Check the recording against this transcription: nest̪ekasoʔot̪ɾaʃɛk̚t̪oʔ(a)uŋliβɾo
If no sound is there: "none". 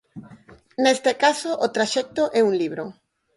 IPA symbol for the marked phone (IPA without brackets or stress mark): ɛ